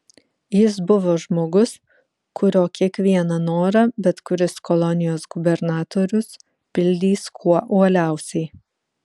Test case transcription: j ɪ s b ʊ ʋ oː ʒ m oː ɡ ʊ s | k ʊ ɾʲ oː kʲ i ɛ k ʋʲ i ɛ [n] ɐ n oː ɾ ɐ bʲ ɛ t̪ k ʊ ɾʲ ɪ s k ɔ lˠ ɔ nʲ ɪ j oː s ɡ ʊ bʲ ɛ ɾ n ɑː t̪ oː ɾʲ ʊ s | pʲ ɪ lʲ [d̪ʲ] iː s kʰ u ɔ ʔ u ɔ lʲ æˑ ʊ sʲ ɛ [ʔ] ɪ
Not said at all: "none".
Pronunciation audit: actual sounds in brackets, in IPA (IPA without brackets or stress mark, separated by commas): n, d̪ʲ, none